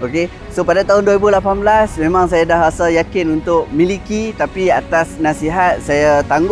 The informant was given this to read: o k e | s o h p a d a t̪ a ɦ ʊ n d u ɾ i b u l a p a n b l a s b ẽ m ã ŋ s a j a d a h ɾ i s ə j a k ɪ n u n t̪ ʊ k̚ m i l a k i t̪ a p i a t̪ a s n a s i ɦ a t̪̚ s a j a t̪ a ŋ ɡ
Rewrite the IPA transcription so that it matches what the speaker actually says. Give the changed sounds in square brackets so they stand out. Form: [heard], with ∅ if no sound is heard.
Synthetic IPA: o k e | s o [∅] p a d a t̪ a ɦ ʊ n d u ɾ i b u l a p a n b l a s [m] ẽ m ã ŋ s a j a d a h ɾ [a] s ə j a k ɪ n u n t̪ ʊ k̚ m i l [i] k i t̪ a p i a t̪ a s n a s i ɦ a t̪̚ s a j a t̪ a ŋ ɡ